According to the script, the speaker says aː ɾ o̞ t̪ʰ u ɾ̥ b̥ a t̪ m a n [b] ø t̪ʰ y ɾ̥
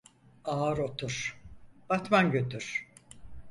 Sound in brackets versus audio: incorrect: ɟ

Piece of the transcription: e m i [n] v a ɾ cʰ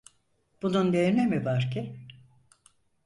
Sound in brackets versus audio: incorrect: none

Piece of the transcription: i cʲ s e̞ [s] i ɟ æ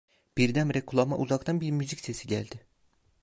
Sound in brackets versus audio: correct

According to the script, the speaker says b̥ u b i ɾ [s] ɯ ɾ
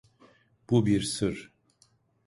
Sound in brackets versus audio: correct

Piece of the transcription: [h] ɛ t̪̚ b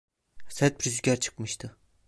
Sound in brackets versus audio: incorrect: s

